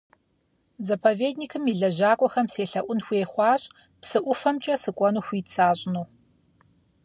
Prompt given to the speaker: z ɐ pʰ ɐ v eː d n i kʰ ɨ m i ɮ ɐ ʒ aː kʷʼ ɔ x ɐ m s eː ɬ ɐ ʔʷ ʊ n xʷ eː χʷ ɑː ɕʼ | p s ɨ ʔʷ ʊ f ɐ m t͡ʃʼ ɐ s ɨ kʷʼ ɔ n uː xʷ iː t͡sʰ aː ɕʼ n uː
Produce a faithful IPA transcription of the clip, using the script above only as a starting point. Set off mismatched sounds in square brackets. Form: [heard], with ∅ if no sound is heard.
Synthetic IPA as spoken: z ɐ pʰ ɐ v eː d n i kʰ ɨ m i ɮ ɐ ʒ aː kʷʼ ɔ x ɐ m s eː ɬ ɐ ʔʷ ʊ n xʷ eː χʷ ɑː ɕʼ | p s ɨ ʔʷ ʊ f ɐ m t͡ʃʼ ɐ s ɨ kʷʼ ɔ n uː xʷ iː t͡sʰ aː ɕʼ n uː